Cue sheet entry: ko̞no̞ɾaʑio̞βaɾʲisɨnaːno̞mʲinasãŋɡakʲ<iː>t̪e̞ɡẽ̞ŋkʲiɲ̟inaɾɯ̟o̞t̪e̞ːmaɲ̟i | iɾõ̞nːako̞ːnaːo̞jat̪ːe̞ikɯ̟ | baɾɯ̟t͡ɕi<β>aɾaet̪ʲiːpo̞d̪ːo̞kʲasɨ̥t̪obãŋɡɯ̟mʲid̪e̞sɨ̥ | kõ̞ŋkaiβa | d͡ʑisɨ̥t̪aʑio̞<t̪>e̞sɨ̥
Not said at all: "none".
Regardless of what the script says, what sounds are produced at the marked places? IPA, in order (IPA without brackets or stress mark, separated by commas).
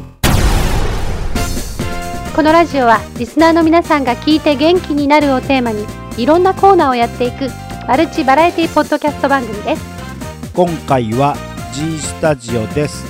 iː, b, d̪